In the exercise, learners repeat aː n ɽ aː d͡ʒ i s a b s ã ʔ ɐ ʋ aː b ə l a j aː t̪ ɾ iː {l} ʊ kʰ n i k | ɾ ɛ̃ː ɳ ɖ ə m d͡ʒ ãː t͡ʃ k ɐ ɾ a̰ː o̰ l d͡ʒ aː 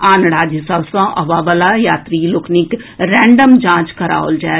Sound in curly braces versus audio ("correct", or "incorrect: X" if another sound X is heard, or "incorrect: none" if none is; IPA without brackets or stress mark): correct